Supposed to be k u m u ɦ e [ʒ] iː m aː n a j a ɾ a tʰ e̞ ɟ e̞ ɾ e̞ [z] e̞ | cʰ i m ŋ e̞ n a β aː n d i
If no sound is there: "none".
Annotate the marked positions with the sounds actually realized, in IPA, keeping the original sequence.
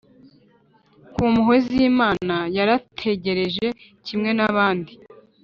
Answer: z, ʒ

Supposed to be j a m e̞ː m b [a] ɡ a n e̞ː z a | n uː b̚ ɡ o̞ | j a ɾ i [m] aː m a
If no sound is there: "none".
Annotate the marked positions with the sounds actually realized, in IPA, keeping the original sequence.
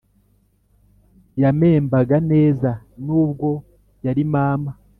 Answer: a, m

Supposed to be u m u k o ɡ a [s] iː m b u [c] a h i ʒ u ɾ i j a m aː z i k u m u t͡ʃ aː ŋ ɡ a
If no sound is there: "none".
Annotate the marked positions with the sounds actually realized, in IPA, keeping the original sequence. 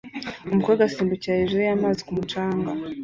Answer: s, c

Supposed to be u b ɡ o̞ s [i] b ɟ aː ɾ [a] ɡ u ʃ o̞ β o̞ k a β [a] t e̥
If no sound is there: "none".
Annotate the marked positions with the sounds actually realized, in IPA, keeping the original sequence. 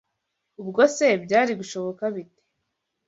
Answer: e, i, i

